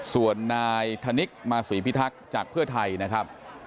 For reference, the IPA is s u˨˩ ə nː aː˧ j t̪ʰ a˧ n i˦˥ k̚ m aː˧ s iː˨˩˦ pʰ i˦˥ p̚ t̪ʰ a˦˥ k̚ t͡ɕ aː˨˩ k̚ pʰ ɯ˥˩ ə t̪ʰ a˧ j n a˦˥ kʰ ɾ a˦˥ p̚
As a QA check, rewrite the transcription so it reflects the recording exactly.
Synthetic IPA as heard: s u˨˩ ə nː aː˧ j t̪ʰ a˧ n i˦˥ k̚ m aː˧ s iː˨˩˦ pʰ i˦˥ t̪ʰ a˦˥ k̚ t͡ɕ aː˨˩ k̚ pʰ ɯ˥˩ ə t̪ʰ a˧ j n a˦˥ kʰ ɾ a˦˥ p̚

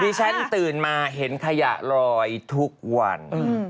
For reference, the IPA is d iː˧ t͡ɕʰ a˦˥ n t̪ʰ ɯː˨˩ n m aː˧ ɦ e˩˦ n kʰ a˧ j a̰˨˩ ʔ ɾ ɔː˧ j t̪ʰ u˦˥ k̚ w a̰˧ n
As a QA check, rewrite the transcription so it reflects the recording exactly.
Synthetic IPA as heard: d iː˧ t͡ɕʰ a˦˥ n t̪ ɯː˨˩ n m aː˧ ɦ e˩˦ n kʰ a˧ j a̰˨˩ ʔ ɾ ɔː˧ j t̪ʰ u˦˥ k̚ w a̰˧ n

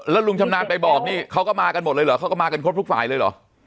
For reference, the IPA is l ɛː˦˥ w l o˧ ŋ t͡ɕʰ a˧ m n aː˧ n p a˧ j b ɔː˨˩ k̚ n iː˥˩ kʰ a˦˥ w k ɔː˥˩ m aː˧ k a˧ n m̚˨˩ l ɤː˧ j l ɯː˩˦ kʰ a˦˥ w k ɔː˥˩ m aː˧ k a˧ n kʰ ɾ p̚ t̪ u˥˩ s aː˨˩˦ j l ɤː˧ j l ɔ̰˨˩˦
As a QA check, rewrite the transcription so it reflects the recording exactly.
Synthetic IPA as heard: l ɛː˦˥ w l u˧ ŋ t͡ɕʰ a˧ m n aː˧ n p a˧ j b ɔː˨˩ k̚ n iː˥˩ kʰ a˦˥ w k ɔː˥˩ m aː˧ k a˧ n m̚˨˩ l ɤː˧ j l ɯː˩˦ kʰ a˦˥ w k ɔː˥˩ m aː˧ k a˧ n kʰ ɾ p̚ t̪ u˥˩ f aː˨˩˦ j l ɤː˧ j l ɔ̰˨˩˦

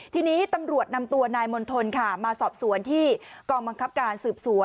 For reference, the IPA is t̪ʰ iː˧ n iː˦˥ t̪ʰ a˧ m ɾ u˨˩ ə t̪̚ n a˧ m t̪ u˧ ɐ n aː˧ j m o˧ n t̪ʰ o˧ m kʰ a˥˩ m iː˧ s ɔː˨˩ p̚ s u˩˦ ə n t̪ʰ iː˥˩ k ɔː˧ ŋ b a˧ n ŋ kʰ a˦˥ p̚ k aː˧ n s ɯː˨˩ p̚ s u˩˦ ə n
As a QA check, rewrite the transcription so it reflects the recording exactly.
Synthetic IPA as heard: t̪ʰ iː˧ n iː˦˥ t̪ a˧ m ɾ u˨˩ ə t̪̚ n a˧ m t̪ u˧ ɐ n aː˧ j m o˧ n t̪ʰ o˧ n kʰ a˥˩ m aː˧ s ɔː˨˩ p̚ s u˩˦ ə n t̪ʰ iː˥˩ k ɔː˧ ŋ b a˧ ŋ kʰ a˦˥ p̚ k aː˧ n s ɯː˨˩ p̚ s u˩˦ ə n

